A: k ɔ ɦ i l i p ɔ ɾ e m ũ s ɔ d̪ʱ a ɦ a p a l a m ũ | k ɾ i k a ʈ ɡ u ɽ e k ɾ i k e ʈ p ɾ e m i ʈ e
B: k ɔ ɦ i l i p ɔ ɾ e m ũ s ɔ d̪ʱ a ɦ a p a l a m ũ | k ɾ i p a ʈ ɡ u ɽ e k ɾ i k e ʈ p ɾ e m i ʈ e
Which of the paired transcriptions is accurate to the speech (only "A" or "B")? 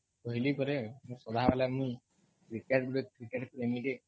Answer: A